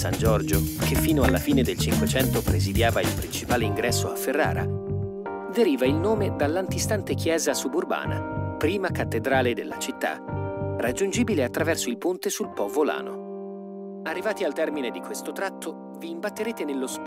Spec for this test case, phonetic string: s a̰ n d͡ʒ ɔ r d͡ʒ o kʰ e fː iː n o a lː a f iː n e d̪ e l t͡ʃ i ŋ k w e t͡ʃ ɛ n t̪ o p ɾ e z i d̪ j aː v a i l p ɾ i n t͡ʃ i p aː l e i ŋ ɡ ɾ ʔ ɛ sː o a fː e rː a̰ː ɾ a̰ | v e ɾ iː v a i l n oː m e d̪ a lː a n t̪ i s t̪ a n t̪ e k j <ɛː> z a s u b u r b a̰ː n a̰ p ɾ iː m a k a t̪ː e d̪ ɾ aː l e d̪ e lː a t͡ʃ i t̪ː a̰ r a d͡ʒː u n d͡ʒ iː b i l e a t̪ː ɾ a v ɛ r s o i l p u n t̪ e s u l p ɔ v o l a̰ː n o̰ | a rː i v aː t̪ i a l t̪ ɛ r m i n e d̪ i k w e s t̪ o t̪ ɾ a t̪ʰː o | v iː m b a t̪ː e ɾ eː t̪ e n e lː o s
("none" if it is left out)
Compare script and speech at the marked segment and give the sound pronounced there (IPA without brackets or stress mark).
ɛː